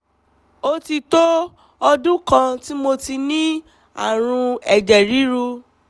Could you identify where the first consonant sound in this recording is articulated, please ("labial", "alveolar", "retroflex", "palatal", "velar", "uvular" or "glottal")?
alveolar